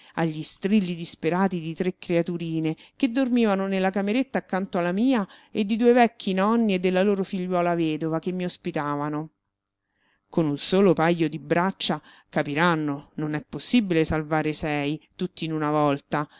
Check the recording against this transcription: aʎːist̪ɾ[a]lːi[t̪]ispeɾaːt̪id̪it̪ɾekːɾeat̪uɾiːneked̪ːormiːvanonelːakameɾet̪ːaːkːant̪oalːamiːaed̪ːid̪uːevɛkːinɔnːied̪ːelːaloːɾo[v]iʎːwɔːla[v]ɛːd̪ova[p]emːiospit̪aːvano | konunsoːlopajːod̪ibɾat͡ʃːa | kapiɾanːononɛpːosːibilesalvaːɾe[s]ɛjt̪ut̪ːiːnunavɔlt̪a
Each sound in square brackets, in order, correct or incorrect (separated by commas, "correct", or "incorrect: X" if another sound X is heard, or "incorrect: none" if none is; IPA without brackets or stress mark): incorrect: i, incorrect: d̪, incorrect: f, correct, incorrect: k, correct